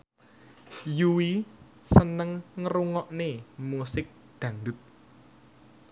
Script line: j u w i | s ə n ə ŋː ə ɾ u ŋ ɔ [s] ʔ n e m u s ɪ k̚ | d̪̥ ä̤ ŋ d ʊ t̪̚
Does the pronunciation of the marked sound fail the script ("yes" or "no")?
yes